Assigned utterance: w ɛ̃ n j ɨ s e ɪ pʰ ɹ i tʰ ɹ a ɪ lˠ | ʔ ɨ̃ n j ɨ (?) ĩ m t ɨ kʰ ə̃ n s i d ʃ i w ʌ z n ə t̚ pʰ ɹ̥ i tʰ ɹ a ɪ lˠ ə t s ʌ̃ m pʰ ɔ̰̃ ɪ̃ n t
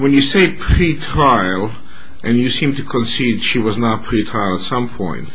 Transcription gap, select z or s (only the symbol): s